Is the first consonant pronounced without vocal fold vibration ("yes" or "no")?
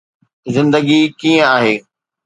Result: no